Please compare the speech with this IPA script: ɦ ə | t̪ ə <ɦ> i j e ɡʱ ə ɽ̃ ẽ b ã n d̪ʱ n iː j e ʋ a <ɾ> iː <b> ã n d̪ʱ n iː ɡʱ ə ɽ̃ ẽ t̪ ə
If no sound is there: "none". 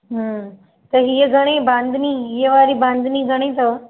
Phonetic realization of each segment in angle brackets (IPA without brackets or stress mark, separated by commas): ɦ, ɾ, b